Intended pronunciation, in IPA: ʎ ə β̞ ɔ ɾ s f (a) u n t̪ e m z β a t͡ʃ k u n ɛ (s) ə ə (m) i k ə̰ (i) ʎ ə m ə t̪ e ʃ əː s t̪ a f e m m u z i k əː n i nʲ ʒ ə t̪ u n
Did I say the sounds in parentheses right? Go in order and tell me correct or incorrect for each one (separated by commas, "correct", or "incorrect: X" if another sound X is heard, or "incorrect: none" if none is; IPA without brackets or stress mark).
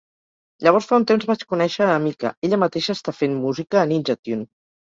correct, incorrect: ʃ, correct, incorrect: e